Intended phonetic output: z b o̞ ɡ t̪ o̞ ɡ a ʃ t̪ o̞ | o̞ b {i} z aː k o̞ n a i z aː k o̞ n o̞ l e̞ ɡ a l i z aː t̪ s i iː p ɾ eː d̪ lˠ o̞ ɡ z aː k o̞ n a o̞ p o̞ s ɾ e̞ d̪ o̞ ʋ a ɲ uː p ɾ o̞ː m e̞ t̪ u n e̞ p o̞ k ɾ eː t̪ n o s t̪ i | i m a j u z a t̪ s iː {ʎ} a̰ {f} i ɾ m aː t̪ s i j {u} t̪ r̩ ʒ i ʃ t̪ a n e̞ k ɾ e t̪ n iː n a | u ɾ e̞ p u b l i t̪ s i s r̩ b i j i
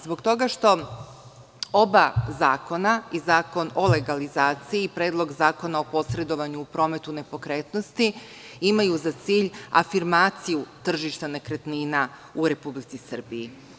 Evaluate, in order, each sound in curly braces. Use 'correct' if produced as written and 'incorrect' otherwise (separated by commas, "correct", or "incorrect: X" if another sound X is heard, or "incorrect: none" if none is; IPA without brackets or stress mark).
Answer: incorrect: a, correct, correct, correct